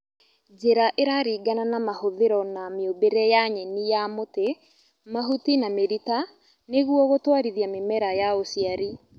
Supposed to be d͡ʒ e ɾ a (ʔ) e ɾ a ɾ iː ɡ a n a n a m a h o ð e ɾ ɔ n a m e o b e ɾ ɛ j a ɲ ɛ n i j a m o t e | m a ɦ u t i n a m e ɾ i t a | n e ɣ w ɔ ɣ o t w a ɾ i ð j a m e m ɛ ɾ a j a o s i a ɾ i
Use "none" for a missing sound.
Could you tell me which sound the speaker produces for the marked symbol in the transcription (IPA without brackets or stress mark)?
ʔ